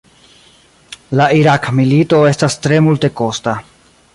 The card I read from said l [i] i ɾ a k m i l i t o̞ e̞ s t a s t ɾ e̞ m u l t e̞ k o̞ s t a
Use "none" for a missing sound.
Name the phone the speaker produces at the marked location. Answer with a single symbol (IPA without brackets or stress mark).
a